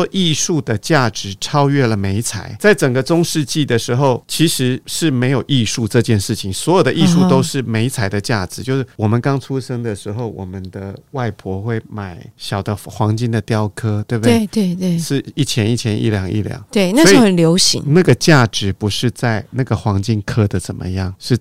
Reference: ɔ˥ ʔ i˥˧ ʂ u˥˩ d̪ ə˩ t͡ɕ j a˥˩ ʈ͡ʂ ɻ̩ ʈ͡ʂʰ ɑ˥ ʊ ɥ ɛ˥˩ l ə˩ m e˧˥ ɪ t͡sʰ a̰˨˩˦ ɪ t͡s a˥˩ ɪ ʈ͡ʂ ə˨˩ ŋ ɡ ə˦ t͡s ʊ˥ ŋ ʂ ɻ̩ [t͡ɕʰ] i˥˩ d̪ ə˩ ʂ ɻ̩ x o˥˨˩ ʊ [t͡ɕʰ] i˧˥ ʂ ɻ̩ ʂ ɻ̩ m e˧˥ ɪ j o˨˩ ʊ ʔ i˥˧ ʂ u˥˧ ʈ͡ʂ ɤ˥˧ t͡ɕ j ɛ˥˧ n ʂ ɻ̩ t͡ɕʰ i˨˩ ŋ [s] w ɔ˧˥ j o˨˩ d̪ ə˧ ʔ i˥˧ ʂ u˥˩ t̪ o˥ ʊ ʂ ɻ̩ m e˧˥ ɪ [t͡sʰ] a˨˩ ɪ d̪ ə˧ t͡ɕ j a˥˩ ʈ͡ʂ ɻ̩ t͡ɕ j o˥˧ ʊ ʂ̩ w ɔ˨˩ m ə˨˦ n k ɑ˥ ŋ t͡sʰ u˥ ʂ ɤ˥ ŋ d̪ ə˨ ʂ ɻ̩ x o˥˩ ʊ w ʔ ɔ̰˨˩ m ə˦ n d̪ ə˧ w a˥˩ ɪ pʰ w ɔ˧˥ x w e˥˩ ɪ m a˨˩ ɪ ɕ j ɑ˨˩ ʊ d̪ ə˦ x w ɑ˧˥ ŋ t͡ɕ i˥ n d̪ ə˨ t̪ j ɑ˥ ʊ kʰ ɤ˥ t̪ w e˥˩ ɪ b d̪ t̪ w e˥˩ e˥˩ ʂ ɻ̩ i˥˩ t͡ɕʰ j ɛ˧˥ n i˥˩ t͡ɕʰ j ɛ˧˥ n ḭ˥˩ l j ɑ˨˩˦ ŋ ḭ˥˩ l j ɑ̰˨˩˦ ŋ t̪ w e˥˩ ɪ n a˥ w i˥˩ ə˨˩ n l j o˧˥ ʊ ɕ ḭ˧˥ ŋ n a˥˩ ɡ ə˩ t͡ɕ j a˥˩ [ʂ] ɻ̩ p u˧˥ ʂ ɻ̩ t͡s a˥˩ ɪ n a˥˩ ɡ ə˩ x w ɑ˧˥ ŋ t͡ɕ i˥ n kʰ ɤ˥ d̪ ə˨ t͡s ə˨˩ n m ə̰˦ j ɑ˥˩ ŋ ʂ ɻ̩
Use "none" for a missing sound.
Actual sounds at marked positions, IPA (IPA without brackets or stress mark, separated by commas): t͡ɕ, t͡ɕʰ, s, t͡sʰ, ʈ͡ʂ